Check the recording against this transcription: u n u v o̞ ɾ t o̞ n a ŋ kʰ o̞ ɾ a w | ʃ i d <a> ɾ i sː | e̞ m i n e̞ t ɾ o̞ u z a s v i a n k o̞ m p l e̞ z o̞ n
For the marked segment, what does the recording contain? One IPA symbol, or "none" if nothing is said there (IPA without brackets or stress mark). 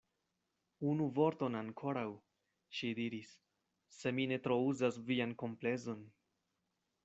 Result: i